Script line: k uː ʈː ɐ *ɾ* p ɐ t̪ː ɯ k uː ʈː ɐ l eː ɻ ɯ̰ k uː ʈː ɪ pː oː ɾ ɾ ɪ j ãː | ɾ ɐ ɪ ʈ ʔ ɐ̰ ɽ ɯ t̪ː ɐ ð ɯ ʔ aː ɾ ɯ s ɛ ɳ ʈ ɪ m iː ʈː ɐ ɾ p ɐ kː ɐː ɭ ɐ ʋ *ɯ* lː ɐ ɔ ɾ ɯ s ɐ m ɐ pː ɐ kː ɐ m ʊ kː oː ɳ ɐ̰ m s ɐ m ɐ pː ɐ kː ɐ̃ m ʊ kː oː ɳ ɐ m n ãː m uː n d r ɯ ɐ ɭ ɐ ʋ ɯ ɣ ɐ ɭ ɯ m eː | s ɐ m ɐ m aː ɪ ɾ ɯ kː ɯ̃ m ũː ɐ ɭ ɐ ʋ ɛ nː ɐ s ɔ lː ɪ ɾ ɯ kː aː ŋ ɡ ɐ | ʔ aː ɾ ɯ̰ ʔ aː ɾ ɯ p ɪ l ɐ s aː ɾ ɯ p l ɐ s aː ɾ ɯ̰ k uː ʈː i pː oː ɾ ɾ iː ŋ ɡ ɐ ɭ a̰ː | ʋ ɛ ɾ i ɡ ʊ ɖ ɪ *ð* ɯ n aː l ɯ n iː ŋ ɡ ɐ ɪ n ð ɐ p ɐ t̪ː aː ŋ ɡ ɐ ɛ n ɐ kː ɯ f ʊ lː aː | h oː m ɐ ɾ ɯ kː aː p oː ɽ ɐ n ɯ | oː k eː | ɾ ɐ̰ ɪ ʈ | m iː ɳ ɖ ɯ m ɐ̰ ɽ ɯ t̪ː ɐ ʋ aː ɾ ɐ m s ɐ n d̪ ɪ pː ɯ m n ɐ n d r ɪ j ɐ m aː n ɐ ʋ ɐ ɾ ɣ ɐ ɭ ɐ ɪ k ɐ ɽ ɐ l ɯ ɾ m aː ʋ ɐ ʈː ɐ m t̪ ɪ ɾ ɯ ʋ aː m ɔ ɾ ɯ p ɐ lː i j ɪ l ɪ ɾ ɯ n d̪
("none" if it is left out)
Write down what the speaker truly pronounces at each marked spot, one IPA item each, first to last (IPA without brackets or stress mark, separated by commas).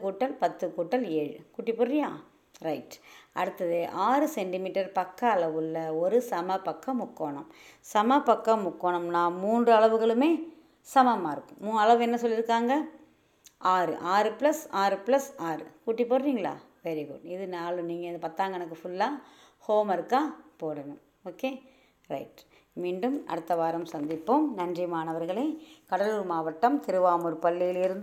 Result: l, ɯ, ð